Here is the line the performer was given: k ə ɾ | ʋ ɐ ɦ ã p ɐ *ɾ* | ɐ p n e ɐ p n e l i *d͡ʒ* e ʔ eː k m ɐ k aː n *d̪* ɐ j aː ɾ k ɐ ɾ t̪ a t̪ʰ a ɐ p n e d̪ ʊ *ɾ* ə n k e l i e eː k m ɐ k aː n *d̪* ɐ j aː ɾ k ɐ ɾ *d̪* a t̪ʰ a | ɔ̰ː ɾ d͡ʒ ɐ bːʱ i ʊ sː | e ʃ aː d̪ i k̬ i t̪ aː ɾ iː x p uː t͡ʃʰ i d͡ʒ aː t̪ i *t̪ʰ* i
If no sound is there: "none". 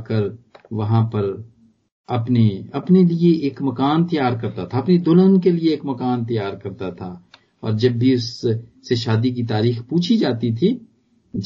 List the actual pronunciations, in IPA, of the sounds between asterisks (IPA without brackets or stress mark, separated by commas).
ɾ, none, t̪, l, t̪, t̪, t̪ʰ